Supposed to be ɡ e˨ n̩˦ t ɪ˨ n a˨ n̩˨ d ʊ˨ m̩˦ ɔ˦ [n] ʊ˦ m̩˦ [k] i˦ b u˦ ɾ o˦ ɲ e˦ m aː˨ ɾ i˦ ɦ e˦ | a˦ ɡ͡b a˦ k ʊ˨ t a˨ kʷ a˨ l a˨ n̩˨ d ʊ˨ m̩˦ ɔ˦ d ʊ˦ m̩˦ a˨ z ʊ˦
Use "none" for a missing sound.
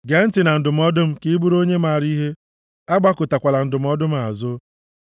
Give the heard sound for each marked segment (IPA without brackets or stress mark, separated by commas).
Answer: d, k